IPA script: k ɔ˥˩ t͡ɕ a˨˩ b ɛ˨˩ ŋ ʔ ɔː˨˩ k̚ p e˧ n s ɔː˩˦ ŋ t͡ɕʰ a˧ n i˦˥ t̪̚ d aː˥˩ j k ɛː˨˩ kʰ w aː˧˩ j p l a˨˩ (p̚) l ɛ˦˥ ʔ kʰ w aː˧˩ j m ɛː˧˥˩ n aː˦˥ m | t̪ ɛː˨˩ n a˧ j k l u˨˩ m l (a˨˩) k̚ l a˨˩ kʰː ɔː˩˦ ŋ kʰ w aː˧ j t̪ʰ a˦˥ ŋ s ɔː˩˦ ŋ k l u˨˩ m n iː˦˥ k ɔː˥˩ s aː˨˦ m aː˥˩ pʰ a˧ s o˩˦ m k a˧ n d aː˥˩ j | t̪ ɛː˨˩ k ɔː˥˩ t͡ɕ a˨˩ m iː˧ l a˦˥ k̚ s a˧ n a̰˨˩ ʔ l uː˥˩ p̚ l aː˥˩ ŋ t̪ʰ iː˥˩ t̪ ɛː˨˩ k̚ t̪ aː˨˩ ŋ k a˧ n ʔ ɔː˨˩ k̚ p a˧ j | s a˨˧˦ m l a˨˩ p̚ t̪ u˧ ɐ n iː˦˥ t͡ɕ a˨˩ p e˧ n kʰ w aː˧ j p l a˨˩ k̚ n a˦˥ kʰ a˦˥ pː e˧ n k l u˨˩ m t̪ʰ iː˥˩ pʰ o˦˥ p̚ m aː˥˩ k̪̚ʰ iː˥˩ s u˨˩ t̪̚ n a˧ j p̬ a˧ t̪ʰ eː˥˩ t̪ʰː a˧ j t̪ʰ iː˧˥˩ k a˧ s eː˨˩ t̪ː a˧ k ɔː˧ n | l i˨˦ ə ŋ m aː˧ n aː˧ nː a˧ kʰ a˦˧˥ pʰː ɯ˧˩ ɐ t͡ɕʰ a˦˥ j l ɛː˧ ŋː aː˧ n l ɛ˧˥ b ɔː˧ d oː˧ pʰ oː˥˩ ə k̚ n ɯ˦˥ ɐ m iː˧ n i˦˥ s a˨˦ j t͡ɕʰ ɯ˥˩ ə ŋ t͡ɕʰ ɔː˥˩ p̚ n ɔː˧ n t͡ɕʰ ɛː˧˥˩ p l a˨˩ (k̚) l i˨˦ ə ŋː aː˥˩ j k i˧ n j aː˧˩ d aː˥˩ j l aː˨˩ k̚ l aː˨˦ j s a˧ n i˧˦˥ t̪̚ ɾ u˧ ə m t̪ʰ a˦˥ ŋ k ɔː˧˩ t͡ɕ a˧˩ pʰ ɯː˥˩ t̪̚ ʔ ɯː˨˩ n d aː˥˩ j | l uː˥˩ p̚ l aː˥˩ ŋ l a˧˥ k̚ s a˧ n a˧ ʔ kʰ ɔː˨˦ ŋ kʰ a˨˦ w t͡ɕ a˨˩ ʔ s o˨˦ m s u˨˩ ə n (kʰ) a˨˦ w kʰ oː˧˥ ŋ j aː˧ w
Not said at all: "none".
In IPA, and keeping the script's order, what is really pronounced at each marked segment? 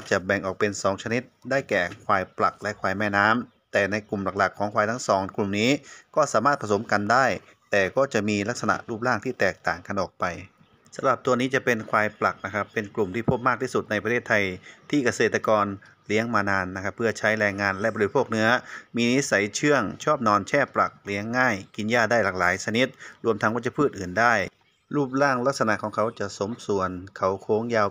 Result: k̚, a˨˩, k̚, kʰ

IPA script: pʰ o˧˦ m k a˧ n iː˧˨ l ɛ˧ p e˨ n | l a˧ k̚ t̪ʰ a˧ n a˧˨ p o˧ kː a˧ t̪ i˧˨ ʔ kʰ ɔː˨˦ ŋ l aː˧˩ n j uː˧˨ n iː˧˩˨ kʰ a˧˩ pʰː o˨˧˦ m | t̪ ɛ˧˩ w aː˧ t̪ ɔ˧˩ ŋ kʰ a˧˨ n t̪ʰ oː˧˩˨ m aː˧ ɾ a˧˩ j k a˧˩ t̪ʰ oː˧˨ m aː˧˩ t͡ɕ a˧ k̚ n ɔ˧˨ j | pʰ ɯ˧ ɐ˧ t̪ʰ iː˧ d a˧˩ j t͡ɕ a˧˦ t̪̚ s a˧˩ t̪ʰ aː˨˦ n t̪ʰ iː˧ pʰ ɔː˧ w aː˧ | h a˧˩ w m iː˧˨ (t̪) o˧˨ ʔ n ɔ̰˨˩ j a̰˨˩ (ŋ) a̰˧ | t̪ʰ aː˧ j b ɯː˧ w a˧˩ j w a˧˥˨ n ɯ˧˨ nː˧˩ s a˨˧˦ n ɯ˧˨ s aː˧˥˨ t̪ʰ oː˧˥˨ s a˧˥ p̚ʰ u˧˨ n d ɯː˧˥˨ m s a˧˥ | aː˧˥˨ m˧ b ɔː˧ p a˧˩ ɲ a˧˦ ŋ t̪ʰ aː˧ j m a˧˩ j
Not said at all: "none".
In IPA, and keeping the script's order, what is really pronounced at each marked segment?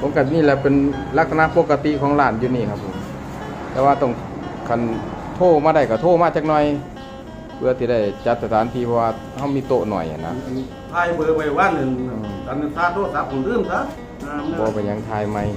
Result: t̪, n

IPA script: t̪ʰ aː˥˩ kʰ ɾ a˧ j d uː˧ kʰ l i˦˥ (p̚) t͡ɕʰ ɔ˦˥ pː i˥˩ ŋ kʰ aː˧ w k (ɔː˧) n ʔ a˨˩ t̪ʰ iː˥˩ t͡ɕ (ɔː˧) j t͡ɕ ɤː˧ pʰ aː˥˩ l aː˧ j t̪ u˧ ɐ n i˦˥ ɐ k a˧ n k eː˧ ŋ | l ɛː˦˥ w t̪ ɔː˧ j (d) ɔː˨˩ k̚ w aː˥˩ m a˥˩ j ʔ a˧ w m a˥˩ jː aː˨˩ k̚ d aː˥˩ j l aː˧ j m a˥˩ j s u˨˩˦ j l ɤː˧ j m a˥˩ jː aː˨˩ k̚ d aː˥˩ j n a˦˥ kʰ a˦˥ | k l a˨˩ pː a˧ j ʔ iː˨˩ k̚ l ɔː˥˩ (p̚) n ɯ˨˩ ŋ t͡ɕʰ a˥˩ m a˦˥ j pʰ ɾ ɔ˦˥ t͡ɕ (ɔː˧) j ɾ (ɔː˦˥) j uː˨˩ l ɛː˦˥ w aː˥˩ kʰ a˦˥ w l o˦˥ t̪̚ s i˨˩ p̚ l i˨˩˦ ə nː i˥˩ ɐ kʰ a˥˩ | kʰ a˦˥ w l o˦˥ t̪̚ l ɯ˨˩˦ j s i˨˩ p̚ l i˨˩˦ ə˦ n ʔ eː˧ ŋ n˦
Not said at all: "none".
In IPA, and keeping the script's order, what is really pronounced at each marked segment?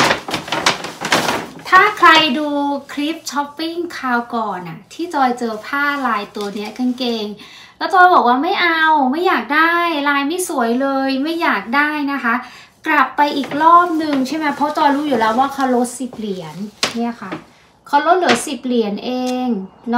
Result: p̚, ɔː˨˩, ɔː˧, b, p̚, ɔː˧, uː˦˥

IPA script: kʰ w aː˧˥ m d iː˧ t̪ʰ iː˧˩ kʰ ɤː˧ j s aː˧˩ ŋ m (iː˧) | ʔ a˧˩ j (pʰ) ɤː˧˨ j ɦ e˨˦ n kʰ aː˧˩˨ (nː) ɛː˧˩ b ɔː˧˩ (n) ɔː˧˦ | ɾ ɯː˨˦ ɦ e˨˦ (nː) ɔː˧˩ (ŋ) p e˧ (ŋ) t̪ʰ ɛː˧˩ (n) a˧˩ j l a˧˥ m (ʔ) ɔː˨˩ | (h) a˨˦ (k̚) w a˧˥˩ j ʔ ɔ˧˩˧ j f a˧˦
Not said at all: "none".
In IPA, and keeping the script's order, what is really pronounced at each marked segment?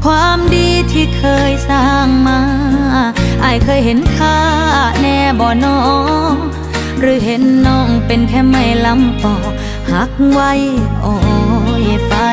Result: aː˧, kʰ, n, n, nː, ŋ, n, m, p, h, k̚

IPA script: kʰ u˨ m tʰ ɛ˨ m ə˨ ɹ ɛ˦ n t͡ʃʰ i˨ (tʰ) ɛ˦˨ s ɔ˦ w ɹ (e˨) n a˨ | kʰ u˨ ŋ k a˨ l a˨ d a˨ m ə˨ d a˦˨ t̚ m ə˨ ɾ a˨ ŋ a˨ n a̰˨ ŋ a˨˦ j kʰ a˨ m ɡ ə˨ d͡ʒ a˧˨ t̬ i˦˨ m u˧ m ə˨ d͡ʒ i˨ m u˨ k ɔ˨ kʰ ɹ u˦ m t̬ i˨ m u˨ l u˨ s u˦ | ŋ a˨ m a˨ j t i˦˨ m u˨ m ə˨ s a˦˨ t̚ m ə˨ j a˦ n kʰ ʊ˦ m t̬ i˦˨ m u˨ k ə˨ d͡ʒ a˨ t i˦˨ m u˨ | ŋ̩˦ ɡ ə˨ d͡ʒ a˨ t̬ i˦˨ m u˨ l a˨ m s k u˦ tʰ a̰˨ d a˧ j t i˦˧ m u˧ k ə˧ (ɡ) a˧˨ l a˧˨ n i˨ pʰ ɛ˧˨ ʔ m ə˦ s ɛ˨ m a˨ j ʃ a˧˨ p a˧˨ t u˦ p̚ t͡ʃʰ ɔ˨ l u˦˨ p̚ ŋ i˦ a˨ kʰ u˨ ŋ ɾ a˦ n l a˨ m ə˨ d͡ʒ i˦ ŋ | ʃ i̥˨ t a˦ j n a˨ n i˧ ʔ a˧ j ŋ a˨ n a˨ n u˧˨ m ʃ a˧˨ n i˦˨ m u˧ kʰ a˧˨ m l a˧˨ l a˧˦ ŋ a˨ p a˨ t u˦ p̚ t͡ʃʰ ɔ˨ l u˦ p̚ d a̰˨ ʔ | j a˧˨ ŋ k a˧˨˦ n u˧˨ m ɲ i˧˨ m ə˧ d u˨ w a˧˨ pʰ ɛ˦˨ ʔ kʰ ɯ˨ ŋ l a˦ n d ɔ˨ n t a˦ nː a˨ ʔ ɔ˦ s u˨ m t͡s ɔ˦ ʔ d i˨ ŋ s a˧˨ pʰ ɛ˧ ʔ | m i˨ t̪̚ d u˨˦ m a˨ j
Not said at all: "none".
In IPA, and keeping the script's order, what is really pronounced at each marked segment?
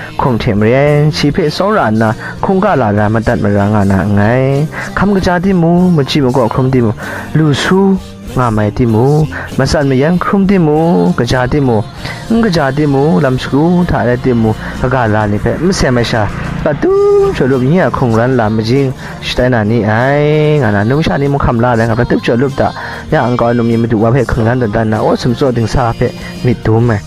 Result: pʰ, a˨, ɡ

